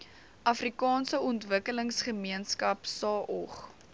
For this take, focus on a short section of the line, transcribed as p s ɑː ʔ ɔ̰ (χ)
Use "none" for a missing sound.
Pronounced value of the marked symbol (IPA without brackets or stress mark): χ